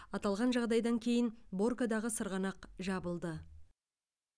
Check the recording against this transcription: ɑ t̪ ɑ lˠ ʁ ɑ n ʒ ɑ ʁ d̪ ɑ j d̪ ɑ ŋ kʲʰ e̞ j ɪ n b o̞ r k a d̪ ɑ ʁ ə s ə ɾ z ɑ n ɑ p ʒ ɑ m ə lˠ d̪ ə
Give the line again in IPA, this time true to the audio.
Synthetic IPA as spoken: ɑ t̪ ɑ lˠ ʁ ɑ n ʒ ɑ ʁ d̪ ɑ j d̪ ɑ ŋ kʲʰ e̞ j ɪ n b o̞ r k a d̪ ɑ ʁ ə s ə ɾ ʁ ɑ n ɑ q ʒ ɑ b ə lˠ d̪ ə